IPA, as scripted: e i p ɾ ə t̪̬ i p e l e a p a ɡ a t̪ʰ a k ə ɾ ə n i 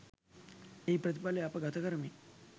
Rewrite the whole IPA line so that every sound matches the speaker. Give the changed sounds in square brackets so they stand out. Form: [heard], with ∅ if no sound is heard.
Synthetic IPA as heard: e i p ɾ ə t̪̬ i p [a] l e a p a ɡ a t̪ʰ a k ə ɾ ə [m] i